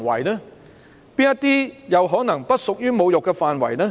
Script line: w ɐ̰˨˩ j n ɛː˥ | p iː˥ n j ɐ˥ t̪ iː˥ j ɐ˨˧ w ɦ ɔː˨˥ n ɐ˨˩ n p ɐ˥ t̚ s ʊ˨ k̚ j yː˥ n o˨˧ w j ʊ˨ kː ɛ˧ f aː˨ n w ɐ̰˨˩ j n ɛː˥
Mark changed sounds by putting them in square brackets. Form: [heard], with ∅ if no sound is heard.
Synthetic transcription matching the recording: w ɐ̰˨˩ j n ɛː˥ | p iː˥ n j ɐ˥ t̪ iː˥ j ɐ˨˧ w ɦ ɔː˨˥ n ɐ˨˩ [ŋ] p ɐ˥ t̚ s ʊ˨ k̚ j yː˥ [m] o˨˧ w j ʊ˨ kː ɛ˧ f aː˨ n w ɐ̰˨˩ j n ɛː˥